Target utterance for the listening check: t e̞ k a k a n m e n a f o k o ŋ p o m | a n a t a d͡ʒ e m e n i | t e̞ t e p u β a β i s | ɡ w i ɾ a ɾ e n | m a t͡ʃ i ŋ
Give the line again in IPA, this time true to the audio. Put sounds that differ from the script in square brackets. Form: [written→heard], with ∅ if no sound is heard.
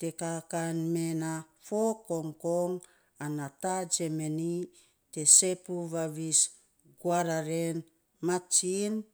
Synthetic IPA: t e̞ k a k a n m e n a f o k o ŋ [p→k] o [m→ŋ] | a n a t a d͡ʒ e m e n i | t e̞ [t→s] e p u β a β i s | ɡ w [i→a] ɾ a ɾ e n | m a t͡ʃ i [ŋ→n]

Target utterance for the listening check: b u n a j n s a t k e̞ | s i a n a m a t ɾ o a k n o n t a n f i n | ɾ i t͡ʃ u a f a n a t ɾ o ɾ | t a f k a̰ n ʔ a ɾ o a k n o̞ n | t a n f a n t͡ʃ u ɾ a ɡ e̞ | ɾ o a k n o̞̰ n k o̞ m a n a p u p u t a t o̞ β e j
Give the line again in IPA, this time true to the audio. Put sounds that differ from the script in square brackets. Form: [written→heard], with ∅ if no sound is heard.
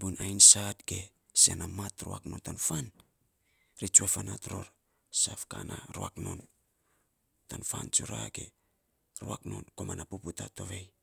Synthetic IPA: b u n a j n s a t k e̞ | s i a n a m a t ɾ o a k n o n t a n f [i→a] n | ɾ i t͡ʃ u a f a n a t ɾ o ɾ | [t→s] a f k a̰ n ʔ a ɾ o a k n o̞ n | t a n f a n t͡ʃ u ɾ a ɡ e̞ | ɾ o a k n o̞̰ n k o̞ m a n a p u p u t a t o̞ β e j

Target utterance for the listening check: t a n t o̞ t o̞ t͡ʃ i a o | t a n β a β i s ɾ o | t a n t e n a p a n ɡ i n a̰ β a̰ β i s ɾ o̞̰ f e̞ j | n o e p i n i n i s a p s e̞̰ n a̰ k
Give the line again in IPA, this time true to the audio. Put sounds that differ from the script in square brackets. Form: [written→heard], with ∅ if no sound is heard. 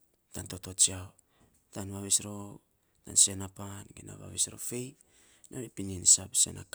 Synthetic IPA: t a n t o̞ t o̞ t͡ʃ i a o | t a n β a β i s ɾ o | t a n [t→s] e n a p a n ɡ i n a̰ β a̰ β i s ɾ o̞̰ f e̞ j | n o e p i n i n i s a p s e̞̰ n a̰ k

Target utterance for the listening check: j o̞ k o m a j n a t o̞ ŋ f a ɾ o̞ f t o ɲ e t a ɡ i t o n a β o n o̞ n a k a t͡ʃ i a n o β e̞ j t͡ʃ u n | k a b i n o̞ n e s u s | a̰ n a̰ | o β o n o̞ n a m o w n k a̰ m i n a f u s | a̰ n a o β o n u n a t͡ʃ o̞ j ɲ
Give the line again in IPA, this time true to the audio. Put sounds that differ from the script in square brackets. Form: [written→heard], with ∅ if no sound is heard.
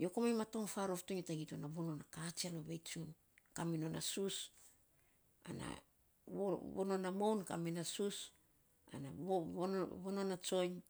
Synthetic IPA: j o̞ k o m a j [n→m] a t o̞ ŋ f a ɾ o̞ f t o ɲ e t a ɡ i t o n a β o n o̞ n a k a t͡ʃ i a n o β e̞ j t͡ʃ u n | k a [b→m] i n o̞ n [e→a] s u s | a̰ n a̰ | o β o n o̞ n a m o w n k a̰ m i n a [f→s] u s | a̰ n a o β o n [u→o] n a t͡ʃ o̞ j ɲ

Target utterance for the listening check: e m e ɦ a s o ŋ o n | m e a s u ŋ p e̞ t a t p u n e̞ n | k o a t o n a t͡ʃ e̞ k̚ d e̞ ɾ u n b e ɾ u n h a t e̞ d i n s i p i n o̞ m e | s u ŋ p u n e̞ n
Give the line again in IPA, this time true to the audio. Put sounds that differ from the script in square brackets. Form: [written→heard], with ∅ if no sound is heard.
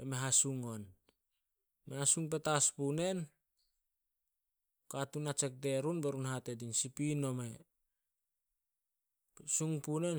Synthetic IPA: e m e ɦ a s [o→u] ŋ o n | m e a s u ŋ p e̞ t a [t→s] p u n e̞ n | k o a t [o→u] n a t͡ʃ e̞ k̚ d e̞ ɾ u n b e ɾ u n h a t e̞ d i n s i p i n o̞ m e | s u ŋ p u n e̞ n

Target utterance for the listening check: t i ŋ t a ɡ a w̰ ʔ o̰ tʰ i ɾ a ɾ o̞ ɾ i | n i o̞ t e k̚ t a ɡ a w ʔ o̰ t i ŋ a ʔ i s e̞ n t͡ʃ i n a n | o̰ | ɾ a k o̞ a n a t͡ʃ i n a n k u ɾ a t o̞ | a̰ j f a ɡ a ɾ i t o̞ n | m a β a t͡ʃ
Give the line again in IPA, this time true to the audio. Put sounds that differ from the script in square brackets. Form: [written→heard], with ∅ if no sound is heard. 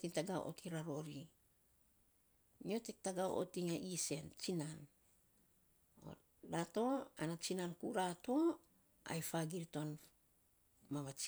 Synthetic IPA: t i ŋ t a ɡ a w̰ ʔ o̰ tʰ i ɾ a ɾ o̞ ɾ i | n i o̞ t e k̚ t a ɡ a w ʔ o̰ t i ŋ a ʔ i s e̞ n t͡ʃ i n a n | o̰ | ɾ a [k→t] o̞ a n a t͡ʃ i n a n k u ɾ a t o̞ | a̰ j f a ɡ [a→i] ɾ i t o̞ n | m a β a t͡ʃ

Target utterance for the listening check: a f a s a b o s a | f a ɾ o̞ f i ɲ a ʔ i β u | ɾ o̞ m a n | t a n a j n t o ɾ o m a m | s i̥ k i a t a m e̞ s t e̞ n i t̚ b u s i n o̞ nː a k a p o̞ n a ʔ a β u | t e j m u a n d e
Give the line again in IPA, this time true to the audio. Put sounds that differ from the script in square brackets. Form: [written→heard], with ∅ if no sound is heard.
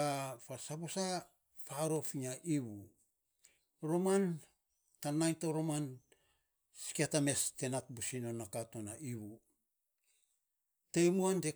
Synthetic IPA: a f a s a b o s a | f a ɾ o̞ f i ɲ a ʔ i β u | ɾ o̞ m a n | t a n a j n t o ɾ o m a [m→n] | s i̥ k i a t a m e̞ s t e̞ n [i→a] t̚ b u s i n o̞ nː a k a [p→t] o̞ n a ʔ [a→i] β u | t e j m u a n d e

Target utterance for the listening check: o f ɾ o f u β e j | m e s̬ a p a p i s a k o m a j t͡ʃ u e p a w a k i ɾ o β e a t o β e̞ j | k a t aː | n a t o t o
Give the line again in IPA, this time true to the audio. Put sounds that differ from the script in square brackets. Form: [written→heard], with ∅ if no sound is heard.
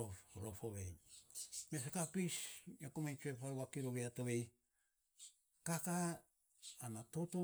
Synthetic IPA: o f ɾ o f [u→o] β e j | m e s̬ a [p→k] a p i s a k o m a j t͡ʃ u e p a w a k i ɾ o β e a t o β e̞ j | k a [t→k] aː | n a t o t o

